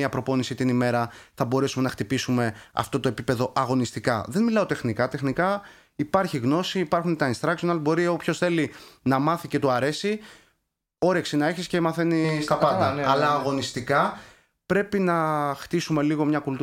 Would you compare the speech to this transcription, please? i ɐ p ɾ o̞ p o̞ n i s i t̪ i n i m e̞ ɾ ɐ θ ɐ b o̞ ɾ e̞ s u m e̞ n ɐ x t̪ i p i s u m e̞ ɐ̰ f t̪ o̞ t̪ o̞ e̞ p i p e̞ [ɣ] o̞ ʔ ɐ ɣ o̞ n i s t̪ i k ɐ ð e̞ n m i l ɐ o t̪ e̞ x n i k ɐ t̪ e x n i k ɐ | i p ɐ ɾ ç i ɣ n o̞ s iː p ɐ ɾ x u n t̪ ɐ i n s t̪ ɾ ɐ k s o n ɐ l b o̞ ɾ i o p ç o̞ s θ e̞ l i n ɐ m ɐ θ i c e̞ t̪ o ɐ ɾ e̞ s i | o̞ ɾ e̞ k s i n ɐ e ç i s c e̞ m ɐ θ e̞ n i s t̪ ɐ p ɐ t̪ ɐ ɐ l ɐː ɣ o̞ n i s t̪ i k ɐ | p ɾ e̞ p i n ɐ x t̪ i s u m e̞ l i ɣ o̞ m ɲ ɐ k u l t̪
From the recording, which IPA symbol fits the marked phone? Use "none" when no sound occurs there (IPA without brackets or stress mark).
ð